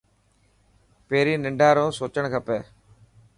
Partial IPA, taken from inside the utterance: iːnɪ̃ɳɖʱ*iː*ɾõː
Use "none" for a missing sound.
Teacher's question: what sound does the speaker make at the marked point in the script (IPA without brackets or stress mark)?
aː